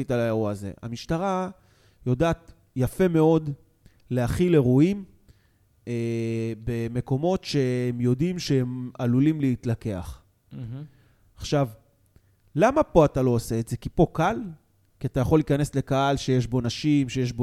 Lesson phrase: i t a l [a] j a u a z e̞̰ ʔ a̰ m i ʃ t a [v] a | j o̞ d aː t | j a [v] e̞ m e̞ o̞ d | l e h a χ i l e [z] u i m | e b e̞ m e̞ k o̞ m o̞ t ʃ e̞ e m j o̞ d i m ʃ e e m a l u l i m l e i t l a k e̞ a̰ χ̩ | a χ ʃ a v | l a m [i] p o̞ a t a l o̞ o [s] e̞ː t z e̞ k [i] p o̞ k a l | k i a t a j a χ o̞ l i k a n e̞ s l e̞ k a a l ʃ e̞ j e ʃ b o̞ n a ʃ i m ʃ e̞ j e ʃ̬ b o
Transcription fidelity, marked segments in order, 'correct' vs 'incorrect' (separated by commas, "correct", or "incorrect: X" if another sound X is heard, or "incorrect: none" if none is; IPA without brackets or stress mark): correct, incorrect: ʁ, incorrect: f, incorrect: ʁ, incorrect: a, correct, correct